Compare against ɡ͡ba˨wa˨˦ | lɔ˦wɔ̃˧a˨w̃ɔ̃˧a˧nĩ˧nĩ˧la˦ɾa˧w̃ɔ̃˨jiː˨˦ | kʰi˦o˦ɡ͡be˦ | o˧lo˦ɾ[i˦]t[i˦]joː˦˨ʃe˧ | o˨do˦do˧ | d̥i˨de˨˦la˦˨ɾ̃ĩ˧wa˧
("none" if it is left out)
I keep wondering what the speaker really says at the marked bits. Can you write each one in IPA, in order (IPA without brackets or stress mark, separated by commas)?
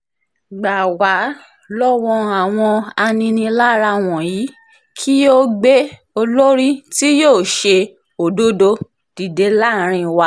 i˦, i˦